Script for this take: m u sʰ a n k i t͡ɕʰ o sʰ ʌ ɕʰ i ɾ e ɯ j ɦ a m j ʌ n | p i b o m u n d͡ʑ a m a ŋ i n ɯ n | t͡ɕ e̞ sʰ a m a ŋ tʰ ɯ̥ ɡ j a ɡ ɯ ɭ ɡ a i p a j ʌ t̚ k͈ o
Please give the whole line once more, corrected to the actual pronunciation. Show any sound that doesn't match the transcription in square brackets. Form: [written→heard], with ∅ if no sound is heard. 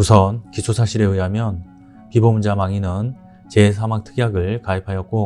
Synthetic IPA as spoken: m u sʰ [a→ʌ] n k i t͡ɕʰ o sʰ [ʌ→a] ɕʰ i ɾ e ɯ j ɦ a m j ʌ n | p i b o m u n d͡ʑ a m a ŋ i n ɯ n | t͡ɕ e̞ sʰ a m a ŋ tʰ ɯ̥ ɡ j a ɡ ɯ ɭ [ɡ→k] a i [p→pʰ] a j ʌ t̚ k͈ o